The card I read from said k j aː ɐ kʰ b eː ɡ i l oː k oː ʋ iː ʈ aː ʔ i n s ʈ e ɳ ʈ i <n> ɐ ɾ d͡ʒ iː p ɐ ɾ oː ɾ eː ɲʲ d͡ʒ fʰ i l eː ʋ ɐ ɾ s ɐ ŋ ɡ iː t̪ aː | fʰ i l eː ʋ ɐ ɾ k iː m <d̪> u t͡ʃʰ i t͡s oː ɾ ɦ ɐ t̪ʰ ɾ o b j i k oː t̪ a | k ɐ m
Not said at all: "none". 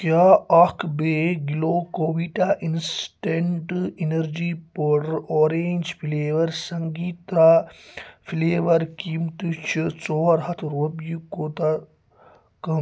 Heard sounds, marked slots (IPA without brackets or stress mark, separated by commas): n, t̪